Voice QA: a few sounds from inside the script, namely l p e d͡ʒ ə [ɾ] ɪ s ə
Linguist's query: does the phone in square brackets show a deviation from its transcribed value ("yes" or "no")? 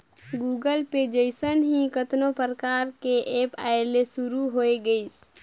yes